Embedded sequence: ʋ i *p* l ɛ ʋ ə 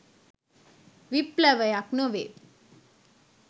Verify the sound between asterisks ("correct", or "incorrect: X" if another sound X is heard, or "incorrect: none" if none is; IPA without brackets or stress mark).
correct